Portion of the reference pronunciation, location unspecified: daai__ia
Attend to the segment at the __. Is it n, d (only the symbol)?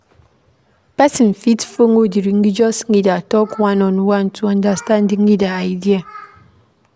d